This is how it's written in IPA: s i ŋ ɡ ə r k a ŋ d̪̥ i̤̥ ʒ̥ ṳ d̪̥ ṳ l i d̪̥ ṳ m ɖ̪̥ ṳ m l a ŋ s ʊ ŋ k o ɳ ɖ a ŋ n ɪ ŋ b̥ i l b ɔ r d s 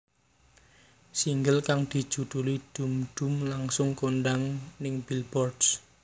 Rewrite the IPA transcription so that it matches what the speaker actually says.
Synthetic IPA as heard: s i ŋ ɡ ə l k a ŋ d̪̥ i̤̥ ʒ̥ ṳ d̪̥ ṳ l i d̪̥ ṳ m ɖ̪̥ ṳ m l a ŋ s ʊ ŋ k o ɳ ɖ a ŋ n ɪ ŋ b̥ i l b ɔ r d s